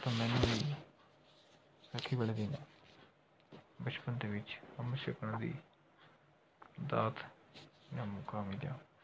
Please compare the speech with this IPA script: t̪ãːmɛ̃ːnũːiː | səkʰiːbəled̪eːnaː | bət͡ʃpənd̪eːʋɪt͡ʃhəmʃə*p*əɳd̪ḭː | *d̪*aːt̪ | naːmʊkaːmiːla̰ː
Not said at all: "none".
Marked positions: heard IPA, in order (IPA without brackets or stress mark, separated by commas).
k, d̪